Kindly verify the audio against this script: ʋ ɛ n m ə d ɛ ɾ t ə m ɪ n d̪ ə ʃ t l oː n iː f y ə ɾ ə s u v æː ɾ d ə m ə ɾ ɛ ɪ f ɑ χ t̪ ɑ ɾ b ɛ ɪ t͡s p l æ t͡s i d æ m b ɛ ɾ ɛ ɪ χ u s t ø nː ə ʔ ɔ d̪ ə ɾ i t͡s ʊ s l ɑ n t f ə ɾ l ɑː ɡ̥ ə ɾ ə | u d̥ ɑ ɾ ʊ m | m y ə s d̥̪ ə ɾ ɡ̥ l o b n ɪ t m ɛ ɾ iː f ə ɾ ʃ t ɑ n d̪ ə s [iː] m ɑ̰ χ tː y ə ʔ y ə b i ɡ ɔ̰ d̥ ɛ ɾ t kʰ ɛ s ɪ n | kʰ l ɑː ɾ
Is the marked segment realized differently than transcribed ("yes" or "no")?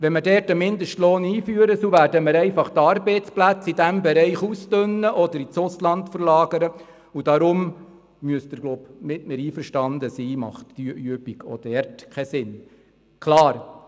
no